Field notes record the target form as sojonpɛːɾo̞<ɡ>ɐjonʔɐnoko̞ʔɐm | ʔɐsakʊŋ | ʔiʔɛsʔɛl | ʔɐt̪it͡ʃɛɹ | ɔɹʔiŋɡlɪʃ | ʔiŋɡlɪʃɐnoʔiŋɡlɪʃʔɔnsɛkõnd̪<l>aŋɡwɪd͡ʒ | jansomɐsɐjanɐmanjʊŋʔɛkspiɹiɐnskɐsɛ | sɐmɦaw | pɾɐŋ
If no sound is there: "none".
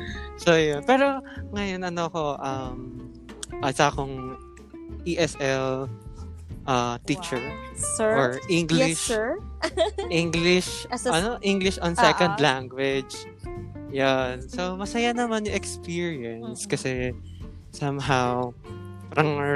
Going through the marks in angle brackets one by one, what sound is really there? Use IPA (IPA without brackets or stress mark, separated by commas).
ŋ, l